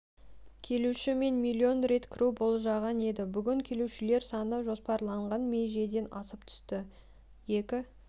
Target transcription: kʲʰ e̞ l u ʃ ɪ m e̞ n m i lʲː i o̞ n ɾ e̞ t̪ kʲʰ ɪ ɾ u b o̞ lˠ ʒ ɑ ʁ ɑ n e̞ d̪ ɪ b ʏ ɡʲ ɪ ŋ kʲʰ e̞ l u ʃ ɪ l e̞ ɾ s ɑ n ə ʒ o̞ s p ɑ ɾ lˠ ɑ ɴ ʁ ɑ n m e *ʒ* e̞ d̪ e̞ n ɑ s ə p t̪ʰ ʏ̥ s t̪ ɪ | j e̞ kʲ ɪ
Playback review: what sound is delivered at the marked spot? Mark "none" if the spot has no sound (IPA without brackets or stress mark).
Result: ʒ